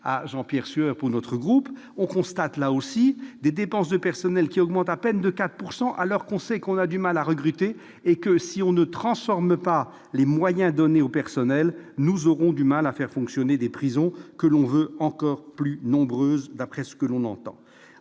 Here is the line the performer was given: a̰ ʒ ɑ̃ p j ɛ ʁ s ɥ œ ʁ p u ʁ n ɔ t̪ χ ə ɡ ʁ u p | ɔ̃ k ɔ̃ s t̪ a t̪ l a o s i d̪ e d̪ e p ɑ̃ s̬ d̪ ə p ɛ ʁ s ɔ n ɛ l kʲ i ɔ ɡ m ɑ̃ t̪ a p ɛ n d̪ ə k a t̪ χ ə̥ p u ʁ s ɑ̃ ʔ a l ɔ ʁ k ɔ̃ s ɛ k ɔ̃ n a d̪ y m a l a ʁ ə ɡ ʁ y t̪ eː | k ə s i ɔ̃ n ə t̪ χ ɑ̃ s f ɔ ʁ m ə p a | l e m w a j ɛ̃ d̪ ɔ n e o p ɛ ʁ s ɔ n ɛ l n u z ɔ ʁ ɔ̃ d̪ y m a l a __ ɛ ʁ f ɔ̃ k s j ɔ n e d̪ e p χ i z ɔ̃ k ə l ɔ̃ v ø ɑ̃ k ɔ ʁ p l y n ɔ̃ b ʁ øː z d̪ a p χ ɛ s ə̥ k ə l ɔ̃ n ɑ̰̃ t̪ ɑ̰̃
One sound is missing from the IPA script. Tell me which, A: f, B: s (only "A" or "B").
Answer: A